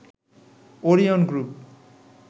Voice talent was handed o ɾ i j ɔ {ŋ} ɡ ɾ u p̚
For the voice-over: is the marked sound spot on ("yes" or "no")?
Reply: no